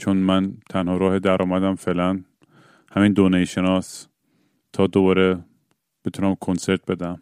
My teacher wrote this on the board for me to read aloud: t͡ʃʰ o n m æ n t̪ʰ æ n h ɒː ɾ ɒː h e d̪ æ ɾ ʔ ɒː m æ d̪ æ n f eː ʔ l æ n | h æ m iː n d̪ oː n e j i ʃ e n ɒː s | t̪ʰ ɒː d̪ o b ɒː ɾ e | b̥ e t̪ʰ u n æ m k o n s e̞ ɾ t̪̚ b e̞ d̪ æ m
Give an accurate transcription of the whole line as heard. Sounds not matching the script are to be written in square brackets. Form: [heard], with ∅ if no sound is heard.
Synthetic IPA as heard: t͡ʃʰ o n m æ n t̪ʰ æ n h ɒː ɾ ɒː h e d̪ æ ɾ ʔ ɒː m æ d̪ æ [m] f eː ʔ l æ n | h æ m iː n d̪ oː n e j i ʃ e n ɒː s | t̪ʰ ɒː d̪ o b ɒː ɾ e | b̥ e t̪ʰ u n æ m [kʰ] o n s e̞ ɾ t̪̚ b e̞ d̪ æ m